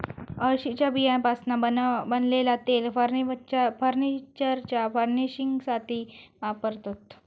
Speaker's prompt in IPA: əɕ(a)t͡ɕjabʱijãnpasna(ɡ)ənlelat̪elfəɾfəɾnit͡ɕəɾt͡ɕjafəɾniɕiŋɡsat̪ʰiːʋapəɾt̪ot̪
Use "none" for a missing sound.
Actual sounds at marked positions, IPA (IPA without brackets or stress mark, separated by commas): i, b